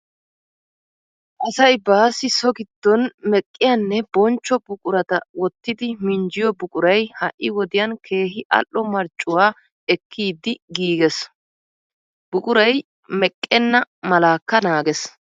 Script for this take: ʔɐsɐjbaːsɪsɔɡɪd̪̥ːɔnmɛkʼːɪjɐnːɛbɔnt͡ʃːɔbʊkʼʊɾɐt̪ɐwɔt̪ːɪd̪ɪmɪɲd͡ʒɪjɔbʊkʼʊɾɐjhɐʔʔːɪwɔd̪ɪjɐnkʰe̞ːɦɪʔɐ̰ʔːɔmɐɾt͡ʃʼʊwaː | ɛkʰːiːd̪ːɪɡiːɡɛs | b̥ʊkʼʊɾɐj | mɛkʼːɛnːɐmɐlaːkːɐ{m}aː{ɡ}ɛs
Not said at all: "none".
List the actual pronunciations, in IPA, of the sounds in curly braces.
n, ɡ

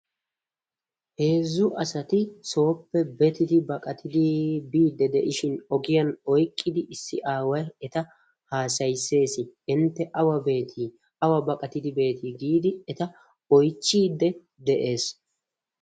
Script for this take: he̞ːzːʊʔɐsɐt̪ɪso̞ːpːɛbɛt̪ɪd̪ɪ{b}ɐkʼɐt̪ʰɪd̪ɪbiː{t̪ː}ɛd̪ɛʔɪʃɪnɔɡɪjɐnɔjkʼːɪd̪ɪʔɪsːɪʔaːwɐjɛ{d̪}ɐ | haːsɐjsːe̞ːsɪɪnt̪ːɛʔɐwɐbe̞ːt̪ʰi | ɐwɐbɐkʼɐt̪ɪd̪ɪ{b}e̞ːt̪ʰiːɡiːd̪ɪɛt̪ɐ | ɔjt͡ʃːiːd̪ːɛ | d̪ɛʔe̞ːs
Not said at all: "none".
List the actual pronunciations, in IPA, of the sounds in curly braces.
b, d̪ː, t̪, b

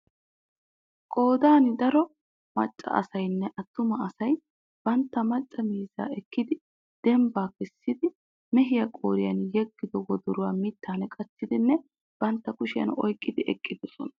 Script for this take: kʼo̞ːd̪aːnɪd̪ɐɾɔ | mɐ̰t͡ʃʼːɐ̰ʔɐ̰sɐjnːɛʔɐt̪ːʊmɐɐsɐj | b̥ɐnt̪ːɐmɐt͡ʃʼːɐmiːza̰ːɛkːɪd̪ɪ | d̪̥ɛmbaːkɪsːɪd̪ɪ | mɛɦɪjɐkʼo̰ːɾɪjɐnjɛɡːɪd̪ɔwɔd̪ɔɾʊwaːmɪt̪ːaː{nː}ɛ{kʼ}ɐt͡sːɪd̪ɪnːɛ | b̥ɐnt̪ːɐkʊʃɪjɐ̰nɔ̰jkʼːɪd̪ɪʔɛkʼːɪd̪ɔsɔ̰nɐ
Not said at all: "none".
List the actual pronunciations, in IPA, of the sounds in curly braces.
n, kʼ

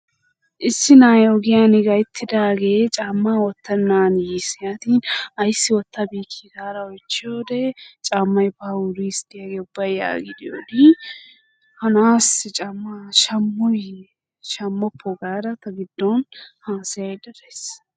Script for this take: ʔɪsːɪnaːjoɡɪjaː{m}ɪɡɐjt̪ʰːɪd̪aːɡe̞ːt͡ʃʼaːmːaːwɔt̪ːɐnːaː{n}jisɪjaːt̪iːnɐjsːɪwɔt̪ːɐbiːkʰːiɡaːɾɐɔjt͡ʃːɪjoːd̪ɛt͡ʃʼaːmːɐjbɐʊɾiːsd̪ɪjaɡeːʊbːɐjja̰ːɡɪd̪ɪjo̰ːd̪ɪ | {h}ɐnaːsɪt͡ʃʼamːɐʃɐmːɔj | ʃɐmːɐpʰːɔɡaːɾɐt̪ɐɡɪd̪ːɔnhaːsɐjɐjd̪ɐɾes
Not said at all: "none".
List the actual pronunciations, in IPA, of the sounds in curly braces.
n, n, h

